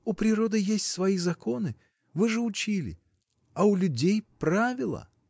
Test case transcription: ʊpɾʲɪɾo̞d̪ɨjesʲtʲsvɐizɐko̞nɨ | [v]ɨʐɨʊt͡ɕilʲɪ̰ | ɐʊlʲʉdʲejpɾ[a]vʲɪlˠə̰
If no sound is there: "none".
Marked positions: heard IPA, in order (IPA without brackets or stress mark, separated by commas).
v, a